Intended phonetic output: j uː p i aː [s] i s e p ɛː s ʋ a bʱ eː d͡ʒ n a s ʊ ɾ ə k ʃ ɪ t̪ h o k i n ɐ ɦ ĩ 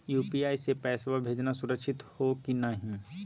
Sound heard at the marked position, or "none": none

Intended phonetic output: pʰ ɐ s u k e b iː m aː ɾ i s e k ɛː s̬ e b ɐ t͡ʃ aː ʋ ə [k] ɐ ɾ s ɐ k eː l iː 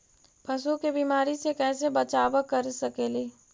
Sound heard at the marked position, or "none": k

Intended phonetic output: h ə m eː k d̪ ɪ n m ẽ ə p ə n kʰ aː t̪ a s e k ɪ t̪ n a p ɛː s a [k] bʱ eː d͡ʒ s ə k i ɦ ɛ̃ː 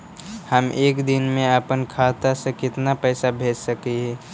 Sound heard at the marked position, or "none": none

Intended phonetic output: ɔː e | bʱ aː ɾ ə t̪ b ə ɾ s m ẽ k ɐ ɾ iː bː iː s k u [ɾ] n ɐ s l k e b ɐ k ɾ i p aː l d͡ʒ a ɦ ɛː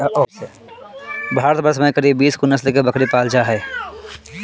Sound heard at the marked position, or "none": none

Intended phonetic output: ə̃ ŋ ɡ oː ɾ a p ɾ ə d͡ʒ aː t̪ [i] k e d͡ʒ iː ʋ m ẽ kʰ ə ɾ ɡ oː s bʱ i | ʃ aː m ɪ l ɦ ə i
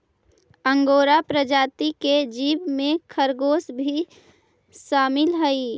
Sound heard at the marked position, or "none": i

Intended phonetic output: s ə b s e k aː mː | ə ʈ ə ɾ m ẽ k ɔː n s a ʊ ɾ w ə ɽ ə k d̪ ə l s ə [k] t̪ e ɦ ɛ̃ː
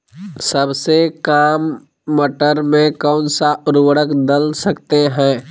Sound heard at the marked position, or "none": k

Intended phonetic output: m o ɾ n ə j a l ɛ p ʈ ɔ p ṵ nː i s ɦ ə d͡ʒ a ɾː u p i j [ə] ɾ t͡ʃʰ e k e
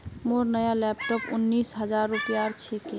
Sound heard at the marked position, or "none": a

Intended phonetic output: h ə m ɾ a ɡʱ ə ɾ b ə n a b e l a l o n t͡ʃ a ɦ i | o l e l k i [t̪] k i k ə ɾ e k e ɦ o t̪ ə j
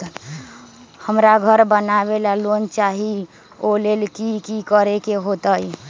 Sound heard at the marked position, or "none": none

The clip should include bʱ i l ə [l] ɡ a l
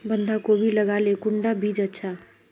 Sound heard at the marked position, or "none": none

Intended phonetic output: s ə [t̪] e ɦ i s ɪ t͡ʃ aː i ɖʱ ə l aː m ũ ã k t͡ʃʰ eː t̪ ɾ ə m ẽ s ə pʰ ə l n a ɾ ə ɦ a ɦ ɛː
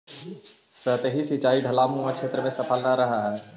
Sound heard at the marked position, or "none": t̪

